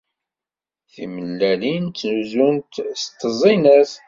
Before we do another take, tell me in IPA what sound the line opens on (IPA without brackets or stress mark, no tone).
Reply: θ